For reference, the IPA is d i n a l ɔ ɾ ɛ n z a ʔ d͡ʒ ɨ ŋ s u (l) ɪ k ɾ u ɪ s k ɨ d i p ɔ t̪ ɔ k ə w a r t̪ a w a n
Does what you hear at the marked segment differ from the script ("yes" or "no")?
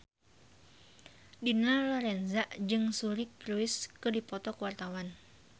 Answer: yes